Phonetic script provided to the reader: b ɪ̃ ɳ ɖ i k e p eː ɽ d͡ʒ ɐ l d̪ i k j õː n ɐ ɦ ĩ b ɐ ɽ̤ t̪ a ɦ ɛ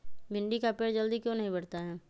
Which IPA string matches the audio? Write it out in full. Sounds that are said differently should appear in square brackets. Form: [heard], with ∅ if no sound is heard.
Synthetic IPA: b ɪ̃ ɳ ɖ i k [a] p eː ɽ d͡ʒ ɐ l d̪ i k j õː n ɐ ɦ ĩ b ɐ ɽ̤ t̪ a ɦ [ɛː]